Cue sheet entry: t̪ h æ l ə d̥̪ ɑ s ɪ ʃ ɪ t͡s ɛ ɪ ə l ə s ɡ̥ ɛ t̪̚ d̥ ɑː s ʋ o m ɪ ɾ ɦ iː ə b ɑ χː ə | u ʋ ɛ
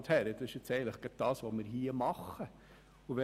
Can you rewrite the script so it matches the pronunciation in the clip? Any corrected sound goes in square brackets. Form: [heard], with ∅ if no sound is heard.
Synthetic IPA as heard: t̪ h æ [ɾ] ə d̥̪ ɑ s ɪ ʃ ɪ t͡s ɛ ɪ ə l ə [χ] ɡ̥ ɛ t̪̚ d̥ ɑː s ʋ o m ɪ ɾ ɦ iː ə [m] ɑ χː ə | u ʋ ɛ